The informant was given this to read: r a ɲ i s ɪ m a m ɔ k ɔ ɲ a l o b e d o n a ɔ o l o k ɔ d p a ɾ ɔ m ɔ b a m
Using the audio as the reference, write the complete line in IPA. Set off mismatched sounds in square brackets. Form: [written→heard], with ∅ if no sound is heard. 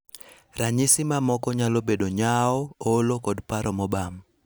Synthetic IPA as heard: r a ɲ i s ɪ m a m ɔ k ɔ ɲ a l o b e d o [n→ɲ] a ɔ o l o k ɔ d p a ɾ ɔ m ɔ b a m